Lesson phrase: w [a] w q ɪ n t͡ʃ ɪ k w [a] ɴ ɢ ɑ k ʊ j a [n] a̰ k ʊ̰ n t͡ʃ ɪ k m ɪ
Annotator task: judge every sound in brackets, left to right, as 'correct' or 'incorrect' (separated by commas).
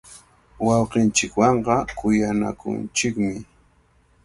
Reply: incorrect, incorrect, correct